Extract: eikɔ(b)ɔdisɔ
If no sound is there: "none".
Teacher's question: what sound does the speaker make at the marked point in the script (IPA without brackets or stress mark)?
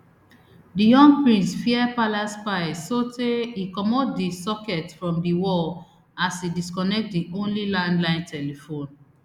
m